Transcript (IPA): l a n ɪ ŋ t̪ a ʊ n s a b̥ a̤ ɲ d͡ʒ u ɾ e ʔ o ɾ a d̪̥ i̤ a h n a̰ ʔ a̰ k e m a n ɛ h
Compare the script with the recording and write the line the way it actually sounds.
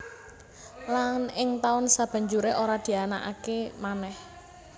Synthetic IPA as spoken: l a n ɪ ŋ t̪ a ʊ n s a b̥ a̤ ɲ d͡ʒ u ɾ e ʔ o ɾ a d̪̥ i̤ a n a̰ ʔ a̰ k e m a n ɛ h